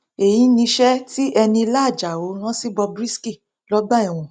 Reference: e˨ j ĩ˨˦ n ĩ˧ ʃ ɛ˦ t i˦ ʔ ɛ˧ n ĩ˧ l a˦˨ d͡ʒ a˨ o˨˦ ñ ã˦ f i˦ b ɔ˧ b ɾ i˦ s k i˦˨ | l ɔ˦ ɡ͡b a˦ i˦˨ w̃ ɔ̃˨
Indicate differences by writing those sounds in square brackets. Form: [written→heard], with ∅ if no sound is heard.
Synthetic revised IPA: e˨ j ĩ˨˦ n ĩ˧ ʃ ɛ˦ t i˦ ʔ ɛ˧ n ĩ˧ l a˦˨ d͡ʒ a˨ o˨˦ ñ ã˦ [f→s] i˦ b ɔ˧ b ɾ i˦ s k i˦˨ | l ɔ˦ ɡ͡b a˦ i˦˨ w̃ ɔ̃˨